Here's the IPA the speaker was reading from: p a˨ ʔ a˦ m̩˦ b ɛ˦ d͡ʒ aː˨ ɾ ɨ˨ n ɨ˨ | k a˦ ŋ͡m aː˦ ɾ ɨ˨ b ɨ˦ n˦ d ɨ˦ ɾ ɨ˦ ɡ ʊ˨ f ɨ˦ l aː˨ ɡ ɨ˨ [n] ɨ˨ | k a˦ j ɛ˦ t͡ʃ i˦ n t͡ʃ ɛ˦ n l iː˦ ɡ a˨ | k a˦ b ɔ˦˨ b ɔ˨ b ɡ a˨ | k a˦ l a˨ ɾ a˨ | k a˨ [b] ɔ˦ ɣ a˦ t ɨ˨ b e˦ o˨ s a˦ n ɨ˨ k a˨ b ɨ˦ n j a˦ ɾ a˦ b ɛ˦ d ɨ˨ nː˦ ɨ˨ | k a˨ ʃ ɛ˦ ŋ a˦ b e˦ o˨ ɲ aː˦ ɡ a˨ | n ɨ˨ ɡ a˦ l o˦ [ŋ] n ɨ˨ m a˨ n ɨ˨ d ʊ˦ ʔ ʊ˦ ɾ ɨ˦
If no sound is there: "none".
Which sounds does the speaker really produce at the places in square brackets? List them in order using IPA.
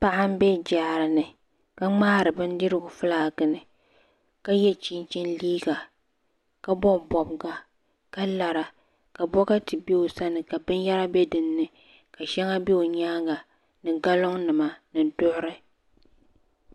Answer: n, b, ŋ

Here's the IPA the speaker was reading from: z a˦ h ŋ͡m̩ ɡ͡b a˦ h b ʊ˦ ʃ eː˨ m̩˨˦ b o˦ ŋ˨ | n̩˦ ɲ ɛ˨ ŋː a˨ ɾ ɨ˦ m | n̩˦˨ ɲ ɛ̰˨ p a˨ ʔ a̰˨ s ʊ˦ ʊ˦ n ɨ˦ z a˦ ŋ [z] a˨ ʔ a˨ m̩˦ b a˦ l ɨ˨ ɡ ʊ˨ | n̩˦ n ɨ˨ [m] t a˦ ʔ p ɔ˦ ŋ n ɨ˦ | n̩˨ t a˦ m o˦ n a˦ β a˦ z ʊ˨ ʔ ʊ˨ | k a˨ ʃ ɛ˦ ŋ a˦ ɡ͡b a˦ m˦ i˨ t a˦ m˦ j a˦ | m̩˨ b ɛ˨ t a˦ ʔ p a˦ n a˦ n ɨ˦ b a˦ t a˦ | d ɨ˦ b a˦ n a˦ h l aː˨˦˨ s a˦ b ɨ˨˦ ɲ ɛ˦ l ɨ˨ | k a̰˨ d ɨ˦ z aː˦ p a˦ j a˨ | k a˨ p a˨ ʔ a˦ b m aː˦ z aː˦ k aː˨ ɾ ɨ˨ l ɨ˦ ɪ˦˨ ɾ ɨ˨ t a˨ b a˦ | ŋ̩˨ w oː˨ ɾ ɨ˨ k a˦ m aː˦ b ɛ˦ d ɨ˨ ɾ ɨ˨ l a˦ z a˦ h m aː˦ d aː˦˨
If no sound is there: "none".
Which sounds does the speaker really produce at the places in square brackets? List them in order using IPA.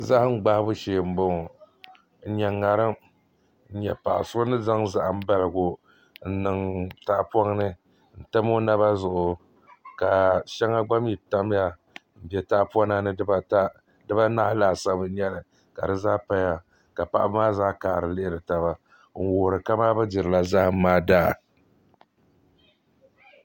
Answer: z, ŋ

